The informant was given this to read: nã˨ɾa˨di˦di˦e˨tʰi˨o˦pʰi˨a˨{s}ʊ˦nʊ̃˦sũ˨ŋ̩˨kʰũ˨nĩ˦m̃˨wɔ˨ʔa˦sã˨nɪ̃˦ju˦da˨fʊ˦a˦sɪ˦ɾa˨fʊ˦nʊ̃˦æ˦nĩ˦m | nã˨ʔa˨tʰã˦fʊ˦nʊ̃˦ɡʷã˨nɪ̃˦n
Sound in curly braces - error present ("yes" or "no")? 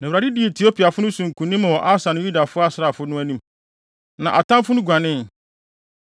yes